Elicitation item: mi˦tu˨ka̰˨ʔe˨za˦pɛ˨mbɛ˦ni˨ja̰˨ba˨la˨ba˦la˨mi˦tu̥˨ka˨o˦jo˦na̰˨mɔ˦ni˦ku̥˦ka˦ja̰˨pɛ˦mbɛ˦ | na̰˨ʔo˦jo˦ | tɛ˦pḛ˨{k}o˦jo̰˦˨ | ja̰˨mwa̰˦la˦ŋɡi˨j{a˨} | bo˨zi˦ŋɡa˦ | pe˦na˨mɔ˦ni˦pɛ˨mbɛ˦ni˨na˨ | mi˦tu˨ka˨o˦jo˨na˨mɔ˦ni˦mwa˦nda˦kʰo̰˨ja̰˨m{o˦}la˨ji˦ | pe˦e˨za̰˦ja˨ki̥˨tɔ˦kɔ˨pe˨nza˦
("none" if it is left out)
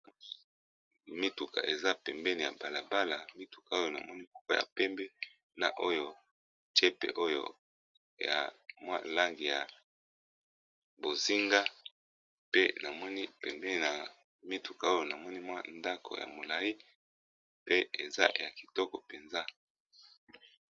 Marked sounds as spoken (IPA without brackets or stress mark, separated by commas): ʔ, a˨, o˨